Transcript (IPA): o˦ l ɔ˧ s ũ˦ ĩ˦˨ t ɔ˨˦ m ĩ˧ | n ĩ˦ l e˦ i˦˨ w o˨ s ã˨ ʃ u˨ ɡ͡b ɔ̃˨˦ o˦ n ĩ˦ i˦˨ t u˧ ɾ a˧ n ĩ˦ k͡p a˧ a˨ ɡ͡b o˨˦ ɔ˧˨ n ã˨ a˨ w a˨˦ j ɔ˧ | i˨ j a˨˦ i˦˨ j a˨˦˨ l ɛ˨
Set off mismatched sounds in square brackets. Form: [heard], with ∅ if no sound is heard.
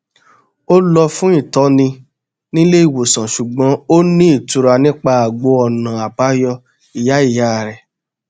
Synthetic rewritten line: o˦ l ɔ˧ [f] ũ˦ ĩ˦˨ t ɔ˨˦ [n] ĩ˧ | n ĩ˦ l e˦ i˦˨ w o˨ s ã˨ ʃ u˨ ɡ͡b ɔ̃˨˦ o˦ n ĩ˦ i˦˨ t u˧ ɾ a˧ n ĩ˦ k͡p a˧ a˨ ɡ͡b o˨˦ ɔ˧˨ n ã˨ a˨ [b] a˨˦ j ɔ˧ | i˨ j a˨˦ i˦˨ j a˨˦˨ [ɾ] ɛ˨